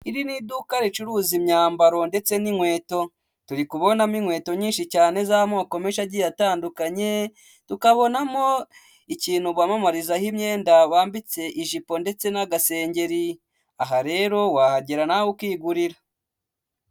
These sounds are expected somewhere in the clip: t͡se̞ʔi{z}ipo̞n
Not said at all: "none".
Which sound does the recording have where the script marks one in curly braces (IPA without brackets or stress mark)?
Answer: ʒ